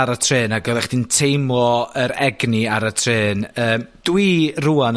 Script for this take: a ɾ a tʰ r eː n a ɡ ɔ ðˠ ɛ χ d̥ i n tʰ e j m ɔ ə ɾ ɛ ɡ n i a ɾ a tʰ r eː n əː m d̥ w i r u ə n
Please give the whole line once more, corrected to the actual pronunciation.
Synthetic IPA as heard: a ɾ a tʰ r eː n a ɡ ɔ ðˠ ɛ χ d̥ i n tʰ e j m ɔ ə ɾ ɛ ɡ n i a ɾ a tʰ r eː n əː m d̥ w i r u a n